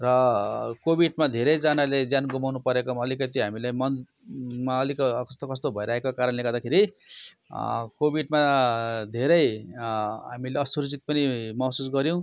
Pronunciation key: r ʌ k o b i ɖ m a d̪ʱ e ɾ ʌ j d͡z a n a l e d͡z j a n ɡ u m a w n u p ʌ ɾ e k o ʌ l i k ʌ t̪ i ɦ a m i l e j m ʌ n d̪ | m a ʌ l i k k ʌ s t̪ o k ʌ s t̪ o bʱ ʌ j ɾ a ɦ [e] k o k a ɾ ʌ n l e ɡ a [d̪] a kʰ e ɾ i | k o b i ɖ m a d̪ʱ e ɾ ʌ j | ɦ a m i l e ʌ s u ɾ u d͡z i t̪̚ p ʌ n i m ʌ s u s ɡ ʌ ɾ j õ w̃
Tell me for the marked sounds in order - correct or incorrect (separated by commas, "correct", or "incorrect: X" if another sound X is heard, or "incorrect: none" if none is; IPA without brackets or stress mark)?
correct, correct